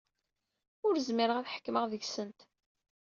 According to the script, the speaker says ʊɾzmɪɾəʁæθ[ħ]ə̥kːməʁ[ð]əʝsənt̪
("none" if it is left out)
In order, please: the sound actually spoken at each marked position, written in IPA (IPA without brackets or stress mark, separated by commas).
ħ, ð